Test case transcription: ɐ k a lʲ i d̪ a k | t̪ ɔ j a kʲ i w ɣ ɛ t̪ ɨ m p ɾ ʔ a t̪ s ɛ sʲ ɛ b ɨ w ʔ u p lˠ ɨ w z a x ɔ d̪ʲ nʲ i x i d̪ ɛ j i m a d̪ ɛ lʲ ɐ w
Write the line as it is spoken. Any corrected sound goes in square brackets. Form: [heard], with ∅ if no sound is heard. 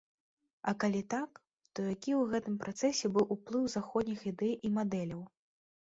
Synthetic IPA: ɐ k a lʲ i [t̪] a k | t̪ ɔ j a kʲ i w ɣ ɛ t̪ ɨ m p ɾ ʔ a t̪ s ɛ sʲ ɛ b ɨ w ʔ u p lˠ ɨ w z a x ɔ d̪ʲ nʲ i x i d̪ ɛ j i m a d̪ ɛ lʲ ɐ w